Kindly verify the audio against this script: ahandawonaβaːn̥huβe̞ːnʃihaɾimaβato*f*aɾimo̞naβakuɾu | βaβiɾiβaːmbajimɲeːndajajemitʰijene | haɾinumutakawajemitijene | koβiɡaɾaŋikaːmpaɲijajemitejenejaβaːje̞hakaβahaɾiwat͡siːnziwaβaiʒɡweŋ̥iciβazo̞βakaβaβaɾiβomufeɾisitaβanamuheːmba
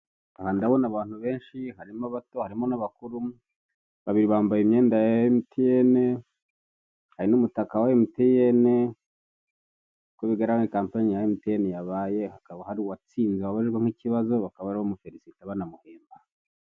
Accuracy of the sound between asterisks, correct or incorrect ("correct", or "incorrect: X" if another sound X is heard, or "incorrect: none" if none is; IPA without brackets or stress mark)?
incorrect: h